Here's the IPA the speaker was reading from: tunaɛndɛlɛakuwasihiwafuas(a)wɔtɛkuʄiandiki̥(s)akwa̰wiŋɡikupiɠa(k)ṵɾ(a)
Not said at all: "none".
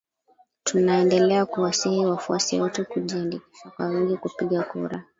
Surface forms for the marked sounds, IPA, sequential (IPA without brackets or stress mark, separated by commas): i, ʃ, k, a